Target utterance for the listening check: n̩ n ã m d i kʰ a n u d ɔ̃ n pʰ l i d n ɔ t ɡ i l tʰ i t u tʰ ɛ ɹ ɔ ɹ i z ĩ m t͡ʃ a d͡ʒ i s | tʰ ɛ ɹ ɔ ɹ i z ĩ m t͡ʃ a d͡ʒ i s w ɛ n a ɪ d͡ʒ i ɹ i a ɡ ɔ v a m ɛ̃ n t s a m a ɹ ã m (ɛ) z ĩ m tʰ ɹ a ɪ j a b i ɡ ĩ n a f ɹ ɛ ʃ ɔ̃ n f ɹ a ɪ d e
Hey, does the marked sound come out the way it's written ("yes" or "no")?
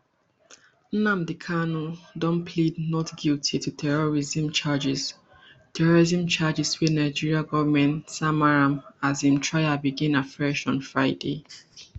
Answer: no